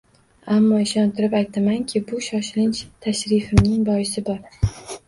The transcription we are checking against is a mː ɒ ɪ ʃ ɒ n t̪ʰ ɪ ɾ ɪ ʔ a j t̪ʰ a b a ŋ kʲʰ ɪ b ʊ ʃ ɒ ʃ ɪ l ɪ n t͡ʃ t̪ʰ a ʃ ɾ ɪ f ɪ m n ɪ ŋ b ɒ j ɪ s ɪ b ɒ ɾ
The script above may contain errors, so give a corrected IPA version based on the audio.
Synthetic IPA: a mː ɒ ɪ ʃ ɒ n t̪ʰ ɪ ɾ ɪ p a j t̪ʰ a m a ŋ kʲʰ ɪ b ʊ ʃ ɒ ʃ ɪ l ɪ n t͡ʃ t̪ʰ a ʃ ɾ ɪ f ɪ m n ɪ ŋ b ɒ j ɪ s ɪ b ɒ ɾ

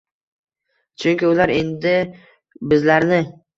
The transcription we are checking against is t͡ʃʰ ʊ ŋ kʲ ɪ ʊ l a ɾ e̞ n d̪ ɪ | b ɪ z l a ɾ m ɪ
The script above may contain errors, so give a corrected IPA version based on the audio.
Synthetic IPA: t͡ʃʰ ʊ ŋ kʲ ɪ ʊ l a ɾ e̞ n d̪ ɪ | b ɪ z l a ɾ n ɪ

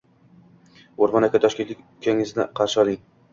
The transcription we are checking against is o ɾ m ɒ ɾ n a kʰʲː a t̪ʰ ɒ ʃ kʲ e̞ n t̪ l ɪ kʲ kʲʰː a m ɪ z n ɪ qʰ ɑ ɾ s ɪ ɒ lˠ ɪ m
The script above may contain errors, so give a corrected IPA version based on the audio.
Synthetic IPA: o ɾ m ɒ n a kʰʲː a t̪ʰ ɒ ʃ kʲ e̞ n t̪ l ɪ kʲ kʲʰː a ŋ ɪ z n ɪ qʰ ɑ ɾ ʃ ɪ ɒ lˠ ɪ ŋ

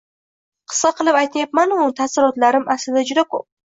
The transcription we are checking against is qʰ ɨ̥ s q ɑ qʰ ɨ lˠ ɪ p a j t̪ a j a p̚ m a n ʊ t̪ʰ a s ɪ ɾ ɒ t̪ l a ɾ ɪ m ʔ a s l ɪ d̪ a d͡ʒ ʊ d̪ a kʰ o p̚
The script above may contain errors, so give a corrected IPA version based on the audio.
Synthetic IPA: qʰ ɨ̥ s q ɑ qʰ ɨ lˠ ɪ p a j t̪ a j a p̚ m a n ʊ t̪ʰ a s ɪ ɾ ɒ t̪ l a ɾ ɪ m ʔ a s l ɪ d̪ a d͡ʒ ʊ d̪ a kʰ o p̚

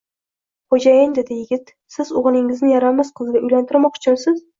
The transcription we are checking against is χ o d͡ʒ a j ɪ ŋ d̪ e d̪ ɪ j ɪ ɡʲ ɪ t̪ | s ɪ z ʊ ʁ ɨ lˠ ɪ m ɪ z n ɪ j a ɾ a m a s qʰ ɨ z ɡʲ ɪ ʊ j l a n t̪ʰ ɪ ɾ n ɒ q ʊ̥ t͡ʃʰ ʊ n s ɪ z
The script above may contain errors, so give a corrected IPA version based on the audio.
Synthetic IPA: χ o d͡ʒ a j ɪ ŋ d̪ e d̪ ɪ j ɪ ɡʲ ɪ t̪ | s ɪ z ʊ ʁ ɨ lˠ ɪ ŋ ɪ z n ɪ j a ɾ a m a s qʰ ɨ z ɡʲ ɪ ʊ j l a n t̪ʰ ɪ ɾ m ɒ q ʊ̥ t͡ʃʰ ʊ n s ɪ z

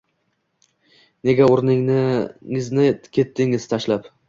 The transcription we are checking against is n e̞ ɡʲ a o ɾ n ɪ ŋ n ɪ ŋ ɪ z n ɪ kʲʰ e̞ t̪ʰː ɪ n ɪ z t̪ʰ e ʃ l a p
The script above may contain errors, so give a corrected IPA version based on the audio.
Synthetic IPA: n e̞ ɡʲ a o ɾ n ɪ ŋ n ɪ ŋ ɪ z n ɪ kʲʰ e̞ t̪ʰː ɪ ŋ ɪ z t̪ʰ a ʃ l a p

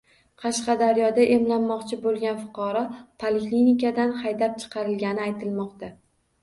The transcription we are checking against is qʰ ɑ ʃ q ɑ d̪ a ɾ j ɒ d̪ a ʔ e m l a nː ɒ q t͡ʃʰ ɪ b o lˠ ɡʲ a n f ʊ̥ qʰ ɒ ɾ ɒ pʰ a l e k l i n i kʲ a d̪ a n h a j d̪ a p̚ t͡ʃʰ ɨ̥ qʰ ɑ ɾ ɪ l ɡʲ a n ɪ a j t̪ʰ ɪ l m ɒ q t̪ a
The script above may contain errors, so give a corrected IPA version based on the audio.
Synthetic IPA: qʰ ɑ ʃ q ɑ d̪ a ɾ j ɒ d̪ a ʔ e m l a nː ɒ q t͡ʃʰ ɪ b o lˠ ɡʲ a n f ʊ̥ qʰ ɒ ɾ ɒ pʰ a l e k l i n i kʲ a d̪ a n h a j d̪ a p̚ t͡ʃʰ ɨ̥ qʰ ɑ ɾ ɪ l ɡʲ a n ɪ a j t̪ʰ ɪ l m ɒ q t̪ a

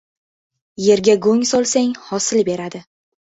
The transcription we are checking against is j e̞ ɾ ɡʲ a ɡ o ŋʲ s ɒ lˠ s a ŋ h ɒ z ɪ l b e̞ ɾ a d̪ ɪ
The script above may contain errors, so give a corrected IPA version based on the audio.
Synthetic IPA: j e̞ ɾ ɡʲ a ɡ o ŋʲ s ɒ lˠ s a ŋ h ɒ s ɪ l b e̞ ɾ a d̪ ɪ

